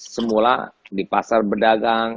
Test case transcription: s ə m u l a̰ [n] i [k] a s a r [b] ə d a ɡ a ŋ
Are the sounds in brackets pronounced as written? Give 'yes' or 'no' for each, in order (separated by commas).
no, no, yes